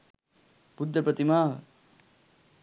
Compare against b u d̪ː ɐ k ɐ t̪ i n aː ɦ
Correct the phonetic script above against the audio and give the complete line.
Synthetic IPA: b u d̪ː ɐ p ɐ t̪ i m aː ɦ